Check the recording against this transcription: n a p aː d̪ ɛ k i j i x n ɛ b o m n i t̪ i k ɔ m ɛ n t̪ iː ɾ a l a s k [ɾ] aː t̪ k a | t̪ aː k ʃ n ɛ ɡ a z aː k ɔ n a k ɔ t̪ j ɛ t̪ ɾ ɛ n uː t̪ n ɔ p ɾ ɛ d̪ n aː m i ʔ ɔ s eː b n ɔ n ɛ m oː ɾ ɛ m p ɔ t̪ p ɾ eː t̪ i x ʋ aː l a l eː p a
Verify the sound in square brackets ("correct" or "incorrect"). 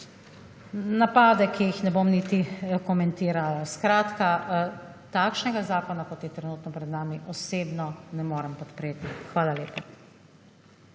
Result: correct